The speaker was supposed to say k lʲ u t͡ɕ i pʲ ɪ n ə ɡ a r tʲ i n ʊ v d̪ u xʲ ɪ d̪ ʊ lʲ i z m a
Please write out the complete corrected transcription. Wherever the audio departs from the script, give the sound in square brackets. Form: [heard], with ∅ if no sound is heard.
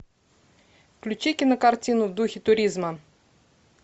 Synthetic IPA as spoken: k lʲ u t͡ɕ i [kʲ] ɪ n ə [k] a r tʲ i n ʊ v d̪ u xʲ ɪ [t̪] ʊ [ɾʲ] i z m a